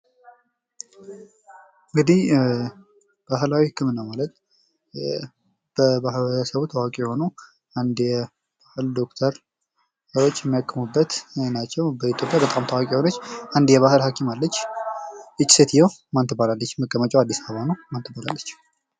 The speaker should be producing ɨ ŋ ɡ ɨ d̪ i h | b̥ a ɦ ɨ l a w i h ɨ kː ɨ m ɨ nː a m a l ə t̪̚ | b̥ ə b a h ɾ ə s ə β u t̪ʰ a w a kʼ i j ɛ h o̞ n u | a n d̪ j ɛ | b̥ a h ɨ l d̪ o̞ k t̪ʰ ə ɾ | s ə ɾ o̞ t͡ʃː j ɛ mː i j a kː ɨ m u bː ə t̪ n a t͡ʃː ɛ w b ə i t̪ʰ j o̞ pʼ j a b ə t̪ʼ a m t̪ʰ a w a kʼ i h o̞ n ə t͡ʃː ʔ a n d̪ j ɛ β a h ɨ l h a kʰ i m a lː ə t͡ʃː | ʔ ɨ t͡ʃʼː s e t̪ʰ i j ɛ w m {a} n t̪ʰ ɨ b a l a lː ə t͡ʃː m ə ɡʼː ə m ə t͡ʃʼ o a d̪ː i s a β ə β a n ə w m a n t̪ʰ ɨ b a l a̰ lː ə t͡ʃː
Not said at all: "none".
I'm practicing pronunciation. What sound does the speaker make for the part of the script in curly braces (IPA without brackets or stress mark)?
a